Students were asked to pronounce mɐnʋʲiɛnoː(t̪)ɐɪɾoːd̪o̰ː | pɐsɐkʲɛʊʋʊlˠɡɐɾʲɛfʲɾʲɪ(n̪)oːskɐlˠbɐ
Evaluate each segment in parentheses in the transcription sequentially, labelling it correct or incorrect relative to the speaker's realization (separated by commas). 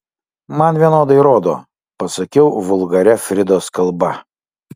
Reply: incorrect, incorrect